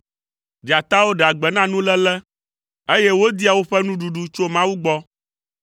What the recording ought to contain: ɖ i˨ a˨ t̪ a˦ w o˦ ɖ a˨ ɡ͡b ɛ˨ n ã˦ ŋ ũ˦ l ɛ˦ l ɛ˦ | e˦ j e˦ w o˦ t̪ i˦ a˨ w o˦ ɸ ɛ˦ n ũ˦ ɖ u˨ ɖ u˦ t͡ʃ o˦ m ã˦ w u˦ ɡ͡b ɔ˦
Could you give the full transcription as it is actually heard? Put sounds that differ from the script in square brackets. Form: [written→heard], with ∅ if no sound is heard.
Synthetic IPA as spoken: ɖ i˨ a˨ t̪ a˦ w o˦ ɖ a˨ ɡ͡b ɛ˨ n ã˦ [ŋ→n] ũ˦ l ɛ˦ l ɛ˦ | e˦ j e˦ w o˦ [t̪→d̪] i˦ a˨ w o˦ ɸ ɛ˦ n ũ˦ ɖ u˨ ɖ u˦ t͡ʃ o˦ m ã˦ w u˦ ɡ͡b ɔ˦

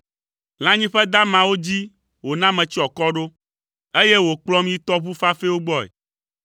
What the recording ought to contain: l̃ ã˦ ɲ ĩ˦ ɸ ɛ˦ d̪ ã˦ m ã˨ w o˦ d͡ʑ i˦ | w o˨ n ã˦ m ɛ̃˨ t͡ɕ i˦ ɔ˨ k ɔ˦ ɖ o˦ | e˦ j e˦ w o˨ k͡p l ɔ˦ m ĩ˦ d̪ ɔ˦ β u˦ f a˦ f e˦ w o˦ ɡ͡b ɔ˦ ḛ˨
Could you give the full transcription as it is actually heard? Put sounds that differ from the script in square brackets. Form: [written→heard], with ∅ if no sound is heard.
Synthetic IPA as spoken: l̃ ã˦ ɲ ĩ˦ ɸ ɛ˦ d̪ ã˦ m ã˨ w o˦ d͡ʑ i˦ | w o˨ n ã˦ m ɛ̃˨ t͡ɕ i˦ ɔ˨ k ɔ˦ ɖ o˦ | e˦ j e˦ w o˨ k͡p l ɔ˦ m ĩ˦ [d̪→t̪] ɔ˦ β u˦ f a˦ f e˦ w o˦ ɡ͡b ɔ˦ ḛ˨

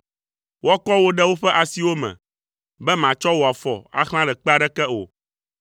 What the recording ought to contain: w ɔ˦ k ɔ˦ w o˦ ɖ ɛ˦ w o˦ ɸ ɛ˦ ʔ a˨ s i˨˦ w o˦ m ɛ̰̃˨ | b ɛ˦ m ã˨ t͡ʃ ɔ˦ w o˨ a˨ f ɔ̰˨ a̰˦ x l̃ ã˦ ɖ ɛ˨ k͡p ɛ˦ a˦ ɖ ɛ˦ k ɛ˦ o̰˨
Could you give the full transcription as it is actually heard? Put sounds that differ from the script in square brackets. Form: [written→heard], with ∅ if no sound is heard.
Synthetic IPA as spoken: w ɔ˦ k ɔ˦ w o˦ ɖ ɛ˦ w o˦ ɸ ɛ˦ ʔ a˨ s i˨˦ w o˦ m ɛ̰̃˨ | b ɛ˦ m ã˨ t͡ʃ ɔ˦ w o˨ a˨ f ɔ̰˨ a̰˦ x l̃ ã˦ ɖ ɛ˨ k͡p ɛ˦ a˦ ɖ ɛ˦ k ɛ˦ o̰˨

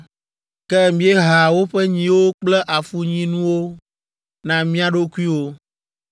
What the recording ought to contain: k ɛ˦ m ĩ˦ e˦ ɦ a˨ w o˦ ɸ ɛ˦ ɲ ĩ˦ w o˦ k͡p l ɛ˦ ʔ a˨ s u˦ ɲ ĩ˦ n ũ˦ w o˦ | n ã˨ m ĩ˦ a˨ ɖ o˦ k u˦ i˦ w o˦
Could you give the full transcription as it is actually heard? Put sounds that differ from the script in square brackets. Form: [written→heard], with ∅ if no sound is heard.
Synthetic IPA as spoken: k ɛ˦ m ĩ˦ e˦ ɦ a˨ w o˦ ɸ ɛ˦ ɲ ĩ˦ w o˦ k͡p l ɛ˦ ʔ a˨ [s→f] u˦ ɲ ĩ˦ n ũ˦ w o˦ | n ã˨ m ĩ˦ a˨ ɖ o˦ k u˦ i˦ w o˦

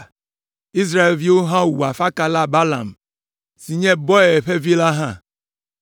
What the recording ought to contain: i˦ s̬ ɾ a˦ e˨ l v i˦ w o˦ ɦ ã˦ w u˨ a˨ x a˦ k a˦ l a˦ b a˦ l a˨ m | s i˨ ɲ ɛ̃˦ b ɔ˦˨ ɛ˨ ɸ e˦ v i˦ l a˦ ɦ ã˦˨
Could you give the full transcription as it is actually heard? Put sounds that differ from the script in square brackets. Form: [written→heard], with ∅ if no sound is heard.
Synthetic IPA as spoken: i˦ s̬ ɾ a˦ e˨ l v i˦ w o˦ ɦ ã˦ w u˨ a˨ [x→f] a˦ k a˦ l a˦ b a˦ l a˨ m | s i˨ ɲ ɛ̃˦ b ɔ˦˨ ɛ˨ ɸ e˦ v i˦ l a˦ ɦ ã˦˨

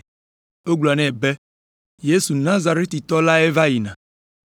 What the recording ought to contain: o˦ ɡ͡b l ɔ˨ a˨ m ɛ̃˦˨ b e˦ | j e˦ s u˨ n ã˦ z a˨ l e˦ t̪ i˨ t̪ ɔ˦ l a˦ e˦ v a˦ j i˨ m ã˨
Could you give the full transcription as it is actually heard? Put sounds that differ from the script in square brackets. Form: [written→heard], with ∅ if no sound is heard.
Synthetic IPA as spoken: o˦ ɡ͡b l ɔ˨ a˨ [m→n] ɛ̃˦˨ b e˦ | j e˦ s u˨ n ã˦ z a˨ [l→ɾ] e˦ t̪ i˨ t̪ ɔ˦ l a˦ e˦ v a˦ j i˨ [m→n] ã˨

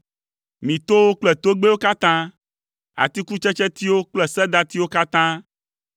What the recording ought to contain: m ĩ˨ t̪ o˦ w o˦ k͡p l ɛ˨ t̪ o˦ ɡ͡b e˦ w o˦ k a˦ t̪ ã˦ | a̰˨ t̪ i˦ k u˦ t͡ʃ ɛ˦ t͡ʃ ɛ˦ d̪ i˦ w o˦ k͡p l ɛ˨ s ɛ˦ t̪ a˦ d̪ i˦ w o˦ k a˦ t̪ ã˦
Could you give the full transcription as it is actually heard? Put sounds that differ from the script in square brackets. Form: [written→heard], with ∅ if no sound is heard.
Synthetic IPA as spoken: m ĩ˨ t̪ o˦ w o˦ k͡p l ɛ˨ t̪ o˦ ɡ͡b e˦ w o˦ k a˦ t̪ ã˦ | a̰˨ t̪ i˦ k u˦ t͡ʃ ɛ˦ t͡ʃ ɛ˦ [d̪→t̪] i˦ w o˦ k͡p l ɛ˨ s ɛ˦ [t̪→d̪] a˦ [d̪→t̪] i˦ w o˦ k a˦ t̪ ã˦

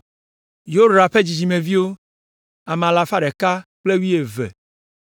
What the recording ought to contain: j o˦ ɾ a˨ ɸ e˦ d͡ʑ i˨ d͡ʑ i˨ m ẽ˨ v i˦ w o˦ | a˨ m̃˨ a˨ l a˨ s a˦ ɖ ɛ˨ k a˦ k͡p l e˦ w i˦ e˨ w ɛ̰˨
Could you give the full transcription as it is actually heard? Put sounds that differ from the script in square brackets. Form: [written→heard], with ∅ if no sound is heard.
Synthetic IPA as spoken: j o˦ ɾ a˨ ɸ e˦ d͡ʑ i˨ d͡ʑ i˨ m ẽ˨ v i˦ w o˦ | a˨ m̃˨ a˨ l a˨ [s→f] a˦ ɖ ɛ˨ k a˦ k͡p l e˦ w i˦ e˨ [w→v] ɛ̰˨

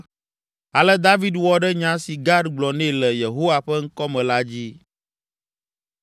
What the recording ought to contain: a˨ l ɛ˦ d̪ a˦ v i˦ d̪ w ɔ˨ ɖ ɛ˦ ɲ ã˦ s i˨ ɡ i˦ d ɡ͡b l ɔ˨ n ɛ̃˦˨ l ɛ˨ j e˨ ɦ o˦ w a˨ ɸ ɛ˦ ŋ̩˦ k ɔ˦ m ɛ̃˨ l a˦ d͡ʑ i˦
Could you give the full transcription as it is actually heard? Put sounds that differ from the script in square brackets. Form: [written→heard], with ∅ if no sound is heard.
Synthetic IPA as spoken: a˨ l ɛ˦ d̪ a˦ v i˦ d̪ w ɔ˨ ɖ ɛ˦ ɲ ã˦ s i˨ ɡ [i˦→a˦] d ɡ͡b l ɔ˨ n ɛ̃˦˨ l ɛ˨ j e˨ ɦ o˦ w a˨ ɸ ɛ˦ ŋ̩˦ k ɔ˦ m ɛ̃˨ l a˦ d͡ʑ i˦

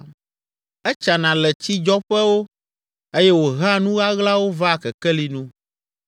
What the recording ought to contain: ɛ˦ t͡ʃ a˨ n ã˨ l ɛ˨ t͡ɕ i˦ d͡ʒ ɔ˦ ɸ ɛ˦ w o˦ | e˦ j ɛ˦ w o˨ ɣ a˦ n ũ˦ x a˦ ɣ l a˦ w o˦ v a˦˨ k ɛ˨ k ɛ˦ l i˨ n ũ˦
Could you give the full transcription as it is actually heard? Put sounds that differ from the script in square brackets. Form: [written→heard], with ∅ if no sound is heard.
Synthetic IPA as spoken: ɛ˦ t͡ʃ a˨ n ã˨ l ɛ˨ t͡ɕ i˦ d͡ʒ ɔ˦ ɸ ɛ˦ w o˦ | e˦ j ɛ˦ w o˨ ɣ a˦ n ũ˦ [x→ɣ] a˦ ɣ l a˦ w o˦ v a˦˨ k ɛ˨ k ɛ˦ l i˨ n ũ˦

